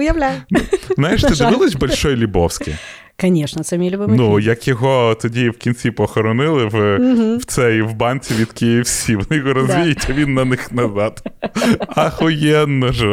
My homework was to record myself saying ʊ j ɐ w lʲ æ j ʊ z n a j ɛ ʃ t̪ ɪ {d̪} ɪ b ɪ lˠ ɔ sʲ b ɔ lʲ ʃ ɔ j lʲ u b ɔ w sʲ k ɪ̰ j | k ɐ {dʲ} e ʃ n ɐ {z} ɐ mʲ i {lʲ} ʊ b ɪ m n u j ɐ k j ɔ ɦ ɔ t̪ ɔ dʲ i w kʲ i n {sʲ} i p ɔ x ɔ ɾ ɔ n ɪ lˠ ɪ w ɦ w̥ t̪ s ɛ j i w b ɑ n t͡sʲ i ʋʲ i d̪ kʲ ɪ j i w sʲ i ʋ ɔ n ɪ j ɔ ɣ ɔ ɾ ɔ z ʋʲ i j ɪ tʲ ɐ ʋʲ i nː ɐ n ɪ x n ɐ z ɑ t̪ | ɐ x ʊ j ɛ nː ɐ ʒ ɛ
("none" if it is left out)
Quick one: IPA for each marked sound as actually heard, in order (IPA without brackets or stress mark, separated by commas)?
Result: d̪, nʲ, s, lʲ, t͡sʲ